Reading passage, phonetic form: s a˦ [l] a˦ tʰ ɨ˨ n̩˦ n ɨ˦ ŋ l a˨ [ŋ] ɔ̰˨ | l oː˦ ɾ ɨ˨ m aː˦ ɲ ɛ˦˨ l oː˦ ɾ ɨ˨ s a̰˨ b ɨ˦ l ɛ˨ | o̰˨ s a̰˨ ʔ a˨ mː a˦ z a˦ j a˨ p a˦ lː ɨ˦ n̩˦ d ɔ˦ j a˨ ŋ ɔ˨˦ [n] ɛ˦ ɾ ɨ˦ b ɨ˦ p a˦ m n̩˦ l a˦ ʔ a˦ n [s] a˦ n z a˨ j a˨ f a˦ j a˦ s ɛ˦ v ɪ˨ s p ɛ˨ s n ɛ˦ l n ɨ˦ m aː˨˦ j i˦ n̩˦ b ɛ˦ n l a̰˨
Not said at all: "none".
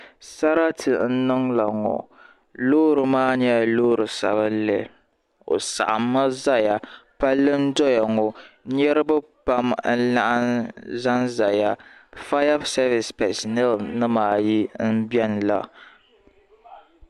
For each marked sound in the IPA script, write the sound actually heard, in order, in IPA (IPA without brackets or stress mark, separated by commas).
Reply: ɾ, ŋ, ɲ, z